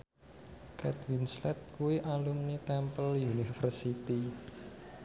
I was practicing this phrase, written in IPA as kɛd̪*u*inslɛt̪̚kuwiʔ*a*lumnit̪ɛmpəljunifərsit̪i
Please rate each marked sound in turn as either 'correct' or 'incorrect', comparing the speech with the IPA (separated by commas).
incorrect, correct